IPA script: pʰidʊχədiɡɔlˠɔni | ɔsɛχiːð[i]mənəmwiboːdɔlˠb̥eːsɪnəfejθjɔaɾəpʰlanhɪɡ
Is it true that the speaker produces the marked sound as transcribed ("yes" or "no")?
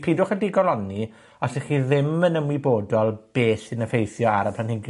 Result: no